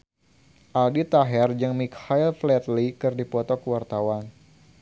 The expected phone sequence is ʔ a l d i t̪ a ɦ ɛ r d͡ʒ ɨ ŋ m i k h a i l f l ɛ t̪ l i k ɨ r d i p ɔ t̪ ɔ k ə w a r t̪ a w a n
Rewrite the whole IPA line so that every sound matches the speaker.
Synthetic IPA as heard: ʔ a l d i t̪ a ɦ ɛ r d͡ʒ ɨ ŋ m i k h a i l f l ɛ t̪ l i k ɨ r d i p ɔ t̪ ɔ k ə w a r t̪ a w a n

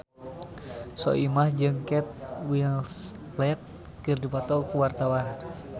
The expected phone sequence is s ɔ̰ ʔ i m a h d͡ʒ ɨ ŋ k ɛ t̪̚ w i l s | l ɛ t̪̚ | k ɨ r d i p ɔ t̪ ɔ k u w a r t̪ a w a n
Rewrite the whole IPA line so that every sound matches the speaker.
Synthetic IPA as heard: s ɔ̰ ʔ i m a h d͡ʒ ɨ ŋ k ɛ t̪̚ w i l s | l ɛ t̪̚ | k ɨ r d i p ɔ t̪ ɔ k u w a r t̪ a w a n

